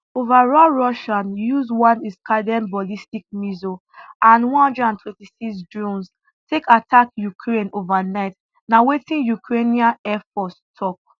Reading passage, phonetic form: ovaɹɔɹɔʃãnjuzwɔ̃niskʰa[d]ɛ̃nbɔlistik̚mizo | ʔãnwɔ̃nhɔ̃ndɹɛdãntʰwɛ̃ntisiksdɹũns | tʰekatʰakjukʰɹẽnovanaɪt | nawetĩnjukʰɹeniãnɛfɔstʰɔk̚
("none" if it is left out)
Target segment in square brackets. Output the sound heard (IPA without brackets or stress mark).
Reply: d